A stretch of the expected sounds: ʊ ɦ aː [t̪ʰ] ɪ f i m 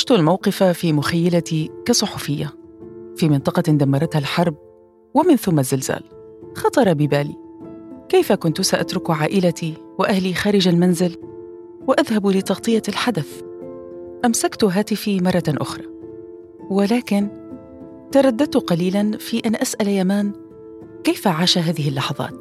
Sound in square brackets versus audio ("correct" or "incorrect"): incorrect